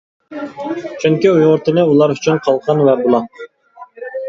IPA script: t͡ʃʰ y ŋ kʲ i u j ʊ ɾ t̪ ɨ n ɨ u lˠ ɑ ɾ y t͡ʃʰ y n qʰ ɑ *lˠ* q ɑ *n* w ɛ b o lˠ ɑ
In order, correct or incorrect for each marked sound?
correct, correct

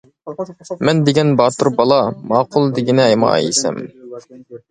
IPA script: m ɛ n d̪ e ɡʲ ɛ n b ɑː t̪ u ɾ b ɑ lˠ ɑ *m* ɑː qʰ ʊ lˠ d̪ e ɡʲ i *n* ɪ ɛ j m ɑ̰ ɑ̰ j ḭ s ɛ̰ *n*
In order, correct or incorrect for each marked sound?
correct, correct, incorrect: m

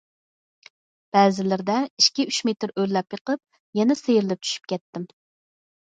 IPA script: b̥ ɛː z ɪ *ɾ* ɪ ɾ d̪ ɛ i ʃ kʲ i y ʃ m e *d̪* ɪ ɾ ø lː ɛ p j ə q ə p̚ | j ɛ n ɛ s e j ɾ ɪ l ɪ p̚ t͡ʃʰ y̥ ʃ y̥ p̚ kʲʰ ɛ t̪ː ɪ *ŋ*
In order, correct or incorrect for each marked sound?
incorrect: l, incorrect: t̪, incorrect: m

